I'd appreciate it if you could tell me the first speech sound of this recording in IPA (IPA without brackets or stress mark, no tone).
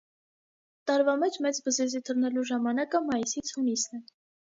t̪